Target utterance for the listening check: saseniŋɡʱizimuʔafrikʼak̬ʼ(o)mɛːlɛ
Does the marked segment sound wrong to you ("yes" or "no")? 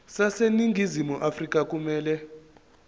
yes